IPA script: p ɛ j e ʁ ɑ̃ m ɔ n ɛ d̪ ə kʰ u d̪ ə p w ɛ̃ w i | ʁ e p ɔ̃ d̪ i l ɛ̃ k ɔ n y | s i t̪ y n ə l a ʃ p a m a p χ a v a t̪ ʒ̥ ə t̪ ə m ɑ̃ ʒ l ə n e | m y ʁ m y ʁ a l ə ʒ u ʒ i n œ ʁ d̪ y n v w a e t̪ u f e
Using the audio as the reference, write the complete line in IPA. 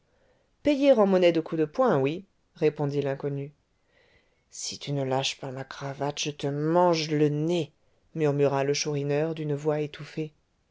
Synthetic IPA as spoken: p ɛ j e ʁ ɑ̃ m ɔ n ɛ d̪ ə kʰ u d̪ ə p w ɛ̃ w i | ʁ e p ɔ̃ d̪ i l ɛ̃ k ɔ n y | s i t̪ y n ə l a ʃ p a m a k χ a v a t̪ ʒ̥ ə t̪ ə m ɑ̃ ʒ l ə n e | m y ʁ m y ʁ a l ə ʃ u ʁ i n œ ʁ d̪ y n v w a e t̪ u f e